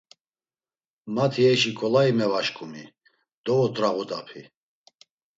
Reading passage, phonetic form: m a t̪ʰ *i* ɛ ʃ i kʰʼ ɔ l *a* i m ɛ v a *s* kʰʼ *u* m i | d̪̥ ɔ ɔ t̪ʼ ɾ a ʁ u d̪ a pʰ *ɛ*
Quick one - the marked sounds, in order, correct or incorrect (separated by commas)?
correct, correct, incorrect, correct, incorrect